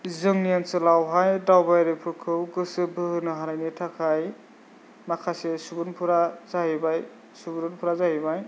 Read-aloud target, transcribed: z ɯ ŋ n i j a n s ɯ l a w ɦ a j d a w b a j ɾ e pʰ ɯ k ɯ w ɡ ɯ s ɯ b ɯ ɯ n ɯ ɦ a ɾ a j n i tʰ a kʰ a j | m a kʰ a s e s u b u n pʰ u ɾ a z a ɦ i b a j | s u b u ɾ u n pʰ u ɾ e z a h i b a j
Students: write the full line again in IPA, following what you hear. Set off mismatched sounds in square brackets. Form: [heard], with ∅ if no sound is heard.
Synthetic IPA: z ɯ ŋ n i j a n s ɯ l a w ɦ a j d a w b a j ɾ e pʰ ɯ [kʰ] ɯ w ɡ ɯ s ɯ b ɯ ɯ n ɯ ɦ a ɾ a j n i tʰ a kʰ a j | m a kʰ a s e s u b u n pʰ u ɾ a z a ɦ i b a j | s u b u ɾ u n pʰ u ɾ [a] z a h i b a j